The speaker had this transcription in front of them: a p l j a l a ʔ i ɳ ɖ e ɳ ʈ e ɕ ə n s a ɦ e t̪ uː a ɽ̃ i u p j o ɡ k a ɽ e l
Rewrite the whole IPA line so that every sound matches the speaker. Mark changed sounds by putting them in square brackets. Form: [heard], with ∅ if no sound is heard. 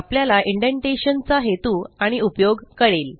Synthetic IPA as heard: a p l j a l a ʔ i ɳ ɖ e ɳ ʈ e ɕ ə n [t͡s] a ɦ e t̪ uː a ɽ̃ i u p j o ɡ k [ə] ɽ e l